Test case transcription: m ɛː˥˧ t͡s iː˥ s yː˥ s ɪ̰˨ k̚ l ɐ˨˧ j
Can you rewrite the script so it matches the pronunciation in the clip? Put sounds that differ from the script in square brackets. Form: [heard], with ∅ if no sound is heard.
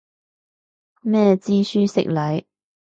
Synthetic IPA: m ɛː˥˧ t͡s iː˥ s yː˥ s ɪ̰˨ k̚ l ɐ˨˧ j